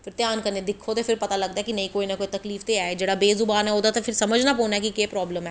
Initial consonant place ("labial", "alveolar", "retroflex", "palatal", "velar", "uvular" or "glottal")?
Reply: labial